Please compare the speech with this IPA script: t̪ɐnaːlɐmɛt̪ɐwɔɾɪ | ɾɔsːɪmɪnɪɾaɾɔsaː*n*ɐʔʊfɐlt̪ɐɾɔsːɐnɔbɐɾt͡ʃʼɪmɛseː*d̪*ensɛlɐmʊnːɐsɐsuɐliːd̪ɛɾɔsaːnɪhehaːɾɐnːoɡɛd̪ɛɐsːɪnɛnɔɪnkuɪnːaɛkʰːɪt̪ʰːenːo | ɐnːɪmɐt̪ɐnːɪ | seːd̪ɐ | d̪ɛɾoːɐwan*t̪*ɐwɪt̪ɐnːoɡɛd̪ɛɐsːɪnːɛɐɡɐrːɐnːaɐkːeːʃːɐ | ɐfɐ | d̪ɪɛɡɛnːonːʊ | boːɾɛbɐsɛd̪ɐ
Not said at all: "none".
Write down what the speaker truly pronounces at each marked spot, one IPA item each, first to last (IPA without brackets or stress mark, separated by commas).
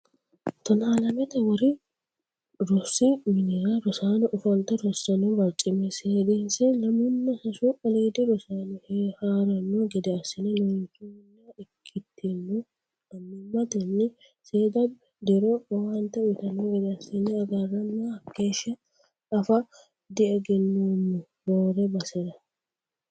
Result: n, d̪, t̪